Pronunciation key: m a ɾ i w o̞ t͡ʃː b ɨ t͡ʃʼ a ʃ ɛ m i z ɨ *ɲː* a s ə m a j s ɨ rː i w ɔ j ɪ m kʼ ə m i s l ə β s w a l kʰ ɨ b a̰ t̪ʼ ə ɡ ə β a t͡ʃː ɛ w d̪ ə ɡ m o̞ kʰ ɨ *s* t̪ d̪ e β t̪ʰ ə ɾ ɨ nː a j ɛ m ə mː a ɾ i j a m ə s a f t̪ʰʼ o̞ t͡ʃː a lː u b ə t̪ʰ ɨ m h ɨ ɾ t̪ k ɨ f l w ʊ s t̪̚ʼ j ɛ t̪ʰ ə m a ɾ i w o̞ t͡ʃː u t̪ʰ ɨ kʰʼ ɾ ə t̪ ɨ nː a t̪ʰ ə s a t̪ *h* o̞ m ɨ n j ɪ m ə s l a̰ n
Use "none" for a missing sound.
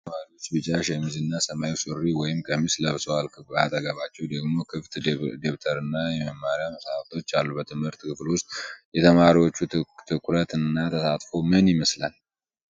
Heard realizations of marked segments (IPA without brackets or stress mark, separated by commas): nː, f, f